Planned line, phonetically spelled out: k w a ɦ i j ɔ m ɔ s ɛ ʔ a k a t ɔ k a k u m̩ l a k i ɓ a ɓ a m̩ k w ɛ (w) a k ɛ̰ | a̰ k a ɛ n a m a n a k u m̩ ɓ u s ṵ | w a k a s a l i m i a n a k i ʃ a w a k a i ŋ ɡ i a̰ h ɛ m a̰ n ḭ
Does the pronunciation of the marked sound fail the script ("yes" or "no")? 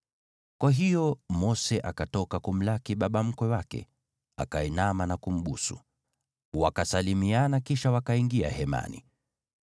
no